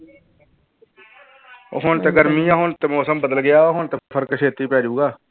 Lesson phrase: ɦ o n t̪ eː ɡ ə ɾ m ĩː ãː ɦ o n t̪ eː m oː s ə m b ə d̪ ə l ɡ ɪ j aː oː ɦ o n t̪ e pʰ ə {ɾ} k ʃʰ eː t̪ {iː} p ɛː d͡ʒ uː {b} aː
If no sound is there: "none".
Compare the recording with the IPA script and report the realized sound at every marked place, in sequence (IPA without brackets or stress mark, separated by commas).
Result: ɾ, iː, ɡ